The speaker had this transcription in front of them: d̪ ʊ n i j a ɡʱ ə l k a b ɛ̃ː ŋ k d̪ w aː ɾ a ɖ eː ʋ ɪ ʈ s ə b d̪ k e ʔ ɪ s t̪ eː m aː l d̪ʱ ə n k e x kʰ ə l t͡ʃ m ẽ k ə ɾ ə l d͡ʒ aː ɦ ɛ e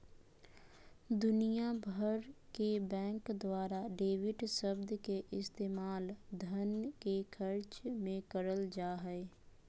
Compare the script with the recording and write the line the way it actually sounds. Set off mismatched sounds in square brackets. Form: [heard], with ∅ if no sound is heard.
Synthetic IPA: d̪ ʊ n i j a [bʱ] ə [ɾ] k [e] b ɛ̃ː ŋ k d̪ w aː ɾ a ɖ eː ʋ ɪ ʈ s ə b d̪ k e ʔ ɪ s t̪ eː m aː l d̪ʱ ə n k e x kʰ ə [ɾ] t͡ʃ m ẽ k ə ɾ ə l d͡ʒ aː ɦ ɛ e